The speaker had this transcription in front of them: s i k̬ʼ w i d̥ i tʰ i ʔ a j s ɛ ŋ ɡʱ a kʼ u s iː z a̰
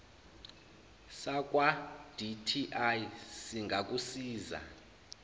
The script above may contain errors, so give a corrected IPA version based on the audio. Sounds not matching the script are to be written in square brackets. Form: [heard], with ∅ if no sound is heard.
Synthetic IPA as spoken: s [a] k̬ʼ w [a] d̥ i tʰ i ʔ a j s [i] ŋ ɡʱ a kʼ u s iː z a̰